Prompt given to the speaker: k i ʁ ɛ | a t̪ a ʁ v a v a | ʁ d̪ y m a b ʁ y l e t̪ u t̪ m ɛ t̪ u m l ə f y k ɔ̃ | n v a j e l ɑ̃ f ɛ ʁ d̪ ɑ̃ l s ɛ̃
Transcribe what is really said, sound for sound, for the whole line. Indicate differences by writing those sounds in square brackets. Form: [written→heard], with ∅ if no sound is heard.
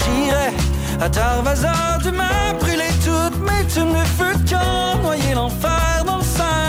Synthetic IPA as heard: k i ʁ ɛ | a t̪ a ʁ v a [v→z] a | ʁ d̪ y m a b ʁ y l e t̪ u t̪ m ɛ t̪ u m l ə f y k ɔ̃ | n [v→w] a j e l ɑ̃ f ɛ ʁ d̪ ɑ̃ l s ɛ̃